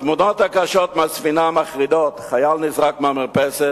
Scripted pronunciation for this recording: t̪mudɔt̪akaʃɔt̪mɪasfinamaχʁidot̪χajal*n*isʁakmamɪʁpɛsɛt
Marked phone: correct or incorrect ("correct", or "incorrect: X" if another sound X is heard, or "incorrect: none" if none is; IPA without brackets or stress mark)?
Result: correct